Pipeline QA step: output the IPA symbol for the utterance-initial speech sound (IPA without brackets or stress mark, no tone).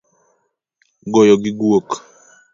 ɡ